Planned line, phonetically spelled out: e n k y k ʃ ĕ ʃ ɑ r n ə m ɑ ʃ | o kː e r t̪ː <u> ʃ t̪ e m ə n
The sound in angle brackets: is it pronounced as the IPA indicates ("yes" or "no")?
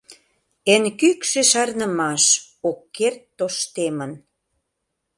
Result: no